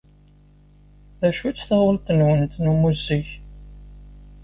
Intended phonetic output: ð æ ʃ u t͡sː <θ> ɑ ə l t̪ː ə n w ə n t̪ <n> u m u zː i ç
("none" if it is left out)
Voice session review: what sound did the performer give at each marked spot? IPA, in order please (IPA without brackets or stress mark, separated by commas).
θ, n